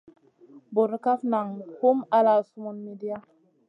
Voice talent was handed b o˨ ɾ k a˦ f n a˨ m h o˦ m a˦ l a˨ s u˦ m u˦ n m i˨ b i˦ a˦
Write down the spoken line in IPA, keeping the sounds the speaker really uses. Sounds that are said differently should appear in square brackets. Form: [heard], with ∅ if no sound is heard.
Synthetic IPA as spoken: b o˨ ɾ k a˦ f n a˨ [ŋ] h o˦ m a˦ l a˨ s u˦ m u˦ n m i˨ [d] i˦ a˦